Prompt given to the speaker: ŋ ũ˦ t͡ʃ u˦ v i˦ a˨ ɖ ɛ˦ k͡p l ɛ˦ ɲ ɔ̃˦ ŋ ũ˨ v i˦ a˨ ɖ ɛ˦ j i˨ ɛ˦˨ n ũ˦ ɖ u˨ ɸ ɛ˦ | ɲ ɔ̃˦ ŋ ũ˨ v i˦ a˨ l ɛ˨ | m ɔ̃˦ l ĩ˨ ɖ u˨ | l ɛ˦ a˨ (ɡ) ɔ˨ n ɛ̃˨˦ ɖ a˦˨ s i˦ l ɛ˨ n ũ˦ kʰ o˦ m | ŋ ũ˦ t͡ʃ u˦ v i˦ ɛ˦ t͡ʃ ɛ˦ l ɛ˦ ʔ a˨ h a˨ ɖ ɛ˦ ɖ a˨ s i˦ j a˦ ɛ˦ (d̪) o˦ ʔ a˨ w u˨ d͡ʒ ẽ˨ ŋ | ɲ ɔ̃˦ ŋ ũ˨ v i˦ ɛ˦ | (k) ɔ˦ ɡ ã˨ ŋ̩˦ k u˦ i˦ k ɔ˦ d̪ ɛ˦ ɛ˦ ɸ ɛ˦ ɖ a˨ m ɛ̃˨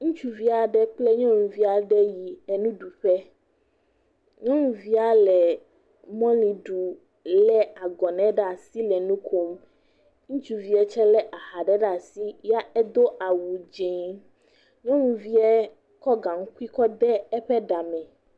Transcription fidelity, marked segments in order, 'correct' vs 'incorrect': correct, correct, correct

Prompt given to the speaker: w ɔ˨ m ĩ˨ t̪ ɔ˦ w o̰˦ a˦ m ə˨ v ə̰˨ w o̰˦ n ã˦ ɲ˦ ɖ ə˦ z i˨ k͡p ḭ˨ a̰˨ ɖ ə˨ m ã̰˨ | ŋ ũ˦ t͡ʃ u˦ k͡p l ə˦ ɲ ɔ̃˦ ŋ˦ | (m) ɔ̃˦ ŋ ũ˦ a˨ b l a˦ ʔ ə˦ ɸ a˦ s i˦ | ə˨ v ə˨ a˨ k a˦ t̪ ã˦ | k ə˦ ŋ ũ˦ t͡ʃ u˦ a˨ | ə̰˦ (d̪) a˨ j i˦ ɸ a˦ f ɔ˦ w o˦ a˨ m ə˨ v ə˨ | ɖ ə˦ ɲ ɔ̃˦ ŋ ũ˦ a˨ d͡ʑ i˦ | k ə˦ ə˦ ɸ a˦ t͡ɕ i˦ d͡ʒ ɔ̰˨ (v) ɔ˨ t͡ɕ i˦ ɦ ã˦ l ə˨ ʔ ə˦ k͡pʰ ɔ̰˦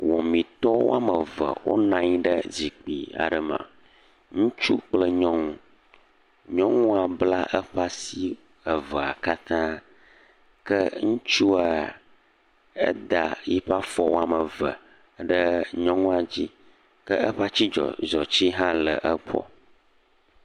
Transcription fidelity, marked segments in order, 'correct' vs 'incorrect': incorrect: ɲ, correct, incorrect: z

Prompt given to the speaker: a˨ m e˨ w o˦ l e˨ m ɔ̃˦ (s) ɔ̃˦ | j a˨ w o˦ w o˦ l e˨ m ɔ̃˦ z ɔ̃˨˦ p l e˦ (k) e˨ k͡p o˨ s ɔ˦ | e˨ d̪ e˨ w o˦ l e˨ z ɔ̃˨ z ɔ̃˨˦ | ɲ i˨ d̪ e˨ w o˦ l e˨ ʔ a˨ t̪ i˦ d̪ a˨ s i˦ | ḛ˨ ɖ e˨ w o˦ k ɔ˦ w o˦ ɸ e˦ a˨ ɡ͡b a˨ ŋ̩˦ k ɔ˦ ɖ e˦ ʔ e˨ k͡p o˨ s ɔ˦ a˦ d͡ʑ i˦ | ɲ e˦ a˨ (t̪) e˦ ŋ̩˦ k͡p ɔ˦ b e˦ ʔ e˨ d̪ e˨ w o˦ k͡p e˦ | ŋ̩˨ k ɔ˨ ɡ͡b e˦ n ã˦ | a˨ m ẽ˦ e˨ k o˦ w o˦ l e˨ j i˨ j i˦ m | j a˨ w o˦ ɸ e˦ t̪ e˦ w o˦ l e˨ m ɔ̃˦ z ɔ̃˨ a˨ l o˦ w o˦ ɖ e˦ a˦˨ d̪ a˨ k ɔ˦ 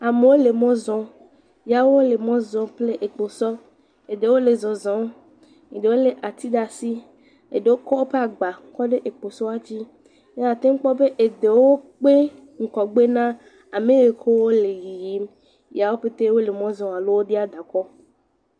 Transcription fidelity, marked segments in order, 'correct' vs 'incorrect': incorrect: z, incorrect: ʔ, correct

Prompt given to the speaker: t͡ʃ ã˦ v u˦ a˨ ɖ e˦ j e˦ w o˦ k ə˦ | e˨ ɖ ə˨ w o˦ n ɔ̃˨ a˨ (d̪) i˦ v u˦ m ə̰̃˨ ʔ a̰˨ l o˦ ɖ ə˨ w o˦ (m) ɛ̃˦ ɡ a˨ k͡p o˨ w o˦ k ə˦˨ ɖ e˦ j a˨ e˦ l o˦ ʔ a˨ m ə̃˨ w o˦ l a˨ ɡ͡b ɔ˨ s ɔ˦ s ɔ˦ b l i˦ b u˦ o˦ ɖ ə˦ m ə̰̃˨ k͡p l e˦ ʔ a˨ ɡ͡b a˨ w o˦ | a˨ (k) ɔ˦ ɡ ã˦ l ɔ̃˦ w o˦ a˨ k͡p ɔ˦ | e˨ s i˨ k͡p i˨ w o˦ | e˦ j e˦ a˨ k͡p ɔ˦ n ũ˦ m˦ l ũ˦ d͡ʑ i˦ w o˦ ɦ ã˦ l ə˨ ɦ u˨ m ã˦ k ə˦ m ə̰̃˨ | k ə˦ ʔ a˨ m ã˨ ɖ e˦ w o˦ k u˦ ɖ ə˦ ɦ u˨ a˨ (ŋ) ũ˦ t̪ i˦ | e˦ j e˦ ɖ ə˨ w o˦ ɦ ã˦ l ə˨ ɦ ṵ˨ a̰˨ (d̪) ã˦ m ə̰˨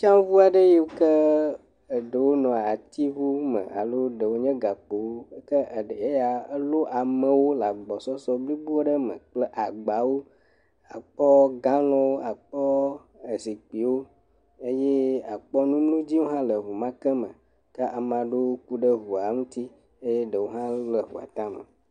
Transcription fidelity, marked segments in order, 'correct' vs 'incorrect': incorrect: t̪, incorrect: ɲ, incorrect: k͡p, correct, incorrect: t̪

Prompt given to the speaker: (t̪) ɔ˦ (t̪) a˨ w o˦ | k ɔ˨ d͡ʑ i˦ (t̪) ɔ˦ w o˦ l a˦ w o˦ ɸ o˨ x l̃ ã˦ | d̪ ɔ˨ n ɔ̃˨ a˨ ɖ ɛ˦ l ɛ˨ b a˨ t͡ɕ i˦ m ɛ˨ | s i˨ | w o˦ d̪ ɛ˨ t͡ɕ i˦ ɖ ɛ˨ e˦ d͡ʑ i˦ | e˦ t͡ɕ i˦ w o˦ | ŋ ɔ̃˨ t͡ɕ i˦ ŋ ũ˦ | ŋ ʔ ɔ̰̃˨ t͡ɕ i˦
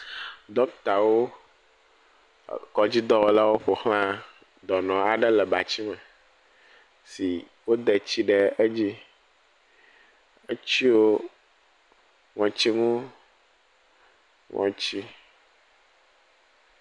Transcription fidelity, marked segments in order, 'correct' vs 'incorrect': incorrect: d̪, correct, incorrect: d̪

